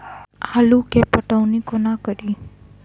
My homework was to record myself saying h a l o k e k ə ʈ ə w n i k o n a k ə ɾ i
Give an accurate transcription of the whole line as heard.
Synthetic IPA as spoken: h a l u k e p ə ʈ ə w n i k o n a k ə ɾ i